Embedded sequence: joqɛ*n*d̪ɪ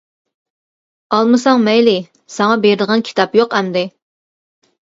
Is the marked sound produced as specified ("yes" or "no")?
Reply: no